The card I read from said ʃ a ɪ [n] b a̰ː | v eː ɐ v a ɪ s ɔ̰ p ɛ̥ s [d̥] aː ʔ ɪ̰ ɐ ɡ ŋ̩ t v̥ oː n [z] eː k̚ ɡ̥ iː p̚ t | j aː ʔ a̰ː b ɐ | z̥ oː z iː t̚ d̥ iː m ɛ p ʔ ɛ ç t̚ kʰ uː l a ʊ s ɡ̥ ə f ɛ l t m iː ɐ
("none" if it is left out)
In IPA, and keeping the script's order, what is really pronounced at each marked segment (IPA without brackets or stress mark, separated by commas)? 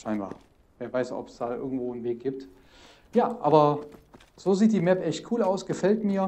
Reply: n, d̥, v